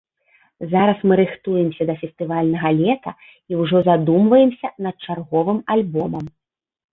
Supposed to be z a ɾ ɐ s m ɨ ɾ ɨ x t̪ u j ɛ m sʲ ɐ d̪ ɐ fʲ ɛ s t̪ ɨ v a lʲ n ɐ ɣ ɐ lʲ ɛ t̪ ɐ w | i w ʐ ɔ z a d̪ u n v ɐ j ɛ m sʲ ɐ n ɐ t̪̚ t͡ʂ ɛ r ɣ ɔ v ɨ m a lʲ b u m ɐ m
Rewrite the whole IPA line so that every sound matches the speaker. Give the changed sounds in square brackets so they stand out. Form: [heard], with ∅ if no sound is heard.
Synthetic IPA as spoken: z a ɾ ɐ s m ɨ ɾ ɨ x t̪ u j ɛ m sʲ ɐ d̪ ɐ fʲ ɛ s t̪ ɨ v a lʲ n ɐ ɣ ɐ lʲ ɛ t̪ ɐ [∅] | i w ʐ ɔ z a d̪ u [m] v ɐ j ɛ m sʲ ɐ n ɐ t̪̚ t͡ʂ [a] r ɣ ɔ v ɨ m a lʲ b [ɔ] m ɐ m